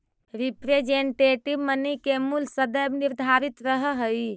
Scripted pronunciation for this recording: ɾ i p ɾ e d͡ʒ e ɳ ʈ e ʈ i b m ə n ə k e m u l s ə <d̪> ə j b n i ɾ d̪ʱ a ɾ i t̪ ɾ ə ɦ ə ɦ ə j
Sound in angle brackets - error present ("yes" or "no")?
no